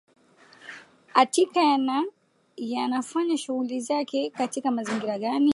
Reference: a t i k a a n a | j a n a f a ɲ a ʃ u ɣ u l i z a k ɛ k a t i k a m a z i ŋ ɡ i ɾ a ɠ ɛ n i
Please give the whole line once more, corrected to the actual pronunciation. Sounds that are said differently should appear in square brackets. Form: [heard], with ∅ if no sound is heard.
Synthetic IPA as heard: a t i k a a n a | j a n a f a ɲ a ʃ u ɣ u l i z a k ɛ k a t i k a m a z i ŋ ɡ i ɾ a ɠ [a] n i